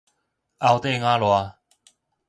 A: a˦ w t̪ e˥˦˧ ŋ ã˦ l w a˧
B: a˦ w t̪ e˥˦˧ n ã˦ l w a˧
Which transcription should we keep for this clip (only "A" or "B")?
A